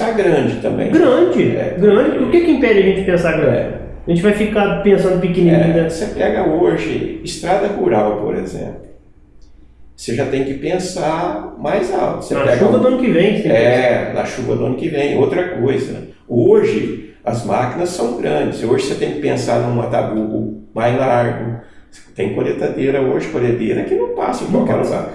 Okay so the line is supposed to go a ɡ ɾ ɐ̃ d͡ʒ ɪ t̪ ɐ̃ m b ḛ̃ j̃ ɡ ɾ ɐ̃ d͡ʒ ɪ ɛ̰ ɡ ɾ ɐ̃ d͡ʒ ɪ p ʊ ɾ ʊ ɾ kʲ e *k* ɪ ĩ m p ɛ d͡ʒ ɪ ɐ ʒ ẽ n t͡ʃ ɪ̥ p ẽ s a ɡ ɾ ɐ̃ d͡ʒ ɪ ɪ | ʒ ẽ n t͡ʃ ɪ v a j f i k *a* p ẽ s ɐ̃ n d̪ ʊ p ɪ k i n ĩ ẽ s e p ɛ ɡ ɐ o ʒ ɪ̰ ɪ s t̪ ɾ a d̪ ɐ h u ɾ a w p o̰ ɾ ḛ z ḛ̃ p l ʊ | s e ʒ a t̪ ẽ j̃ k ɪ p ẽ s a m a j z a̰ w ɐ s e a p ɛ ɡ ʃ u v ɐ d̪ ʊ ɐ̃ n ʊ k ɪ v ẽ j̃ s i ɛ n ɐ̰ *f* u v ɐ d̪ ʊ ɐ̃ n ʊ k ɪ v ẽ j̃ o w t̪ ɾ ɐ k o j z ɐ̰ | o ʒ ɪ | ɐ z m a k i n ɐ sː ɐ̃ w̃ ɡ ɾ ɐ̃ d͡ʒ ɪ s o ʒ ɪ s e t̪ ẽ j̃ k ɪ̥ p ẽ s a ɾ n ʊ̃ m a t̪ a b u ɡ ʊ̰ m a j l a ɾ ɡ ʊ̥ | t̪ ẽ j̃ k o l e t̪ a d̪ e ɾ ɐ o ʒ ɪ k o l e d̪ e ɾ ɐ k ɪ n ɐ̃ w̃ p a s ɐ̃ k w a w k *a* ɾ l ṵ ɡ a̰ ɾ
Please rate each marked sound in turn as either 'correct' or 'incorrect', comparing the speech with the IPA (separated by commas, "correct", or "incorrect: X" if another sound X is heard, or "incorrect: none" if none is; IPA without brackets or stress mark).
correct, correct, incorrect: ʃ, incorrect: ɛ